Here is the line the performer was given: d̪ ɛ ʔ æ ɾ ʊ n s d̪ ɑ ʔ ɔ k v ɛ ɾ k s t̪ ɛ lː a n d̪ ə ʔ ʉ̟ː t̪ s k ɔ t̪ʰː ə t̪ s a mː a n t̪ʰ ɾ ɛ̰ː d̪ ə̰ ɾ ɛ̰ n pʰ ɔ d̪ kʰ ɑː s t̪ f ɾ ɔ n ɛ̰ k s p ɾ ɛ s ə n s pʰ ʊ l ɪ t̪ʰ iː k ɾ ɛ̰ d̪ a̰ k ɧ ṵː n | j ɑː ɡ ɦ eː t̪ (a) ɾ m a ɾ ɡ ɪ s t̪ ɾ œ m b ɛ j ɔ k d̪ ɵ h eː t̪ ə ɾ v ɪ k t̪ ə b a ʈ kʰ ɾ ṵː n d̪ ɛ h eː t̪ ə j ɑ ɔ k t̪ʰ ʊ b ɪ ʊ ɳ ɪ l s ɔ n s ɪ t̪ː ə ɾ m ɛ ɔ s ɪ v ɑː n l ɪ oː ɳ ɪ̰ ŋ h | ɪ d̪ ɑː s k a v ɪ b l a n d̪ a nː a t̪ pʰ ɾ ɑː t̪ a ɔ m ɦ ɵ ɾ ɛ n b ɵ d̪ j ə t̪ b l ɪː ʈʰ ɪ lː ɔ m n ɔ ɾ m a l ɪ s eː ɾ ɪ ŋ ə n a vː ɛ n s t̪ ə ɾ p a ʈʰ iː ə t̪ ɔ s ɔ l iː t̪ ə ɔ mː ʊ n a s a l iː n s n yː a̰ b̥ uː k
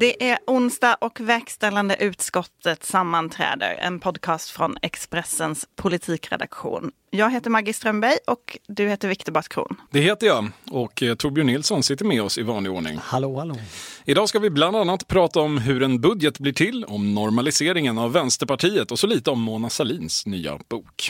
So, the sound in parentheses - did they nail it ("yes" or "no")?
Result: no